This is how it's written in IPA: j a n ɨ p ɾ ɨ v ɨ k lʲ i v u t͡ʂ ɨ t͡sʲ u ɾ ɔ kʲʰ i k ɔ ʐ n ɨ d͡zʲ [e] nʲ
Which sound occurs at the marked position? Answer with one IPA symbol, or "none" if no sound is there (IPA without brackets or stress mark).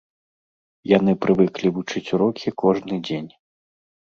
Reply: e